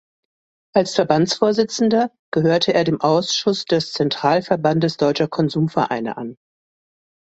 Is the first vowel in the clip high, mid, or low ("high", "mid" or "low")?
low